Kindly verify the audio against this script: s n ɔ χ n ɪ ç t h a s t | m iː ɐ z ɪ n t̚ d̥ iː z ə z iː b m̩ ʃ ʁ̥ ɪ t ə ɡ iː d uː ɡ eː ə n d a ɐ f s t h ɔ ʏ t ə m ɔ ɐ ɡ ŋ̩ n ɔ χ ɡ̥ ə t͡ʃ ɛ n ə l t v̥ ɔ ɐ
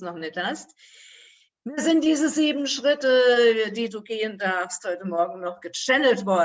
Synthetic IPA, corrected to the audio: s n ɔ χ n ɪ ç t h a s t | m iː ɐ z ɪ n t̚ d̥ iː z ə z iː b m̩ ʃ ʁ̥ ɪ t ə d iː d uː ɡ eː ə n d a ɐ f s t h ɔ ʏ t ə m ɔ ɐ ɡ ŋ̩ n ɔ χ ɡ̥ ə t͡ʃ ɛ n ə l t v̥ ɔ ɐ